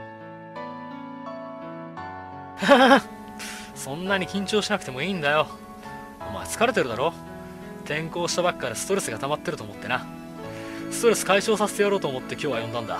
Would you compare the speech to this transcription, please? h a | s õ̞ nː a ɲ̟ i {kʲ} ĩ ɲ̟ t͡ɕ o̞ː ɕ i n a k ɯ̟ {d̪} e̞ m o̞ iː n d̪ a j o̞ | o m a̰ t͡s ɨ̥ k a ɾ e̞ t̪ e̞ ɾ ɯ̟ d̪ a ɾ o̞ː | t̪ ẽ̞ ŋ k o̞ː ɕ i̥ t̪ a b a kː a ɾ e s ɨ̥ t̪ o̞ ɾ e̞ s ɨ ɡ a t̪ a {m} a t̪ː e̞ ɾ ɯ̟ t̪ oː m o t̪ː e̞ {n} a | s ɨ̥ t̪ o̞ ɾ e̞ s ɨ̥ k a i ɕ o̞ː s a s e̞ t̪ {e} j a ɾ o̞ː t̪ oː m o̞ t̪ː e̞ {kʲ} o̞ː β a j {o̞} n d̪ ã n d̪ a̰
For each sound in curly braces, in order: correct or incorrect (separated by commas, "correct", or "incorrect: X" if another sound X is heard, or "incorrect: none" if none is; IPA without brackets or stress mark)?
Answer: correct, incorrect: t̪, correct, correct, correct, correct, incorrect: õ̞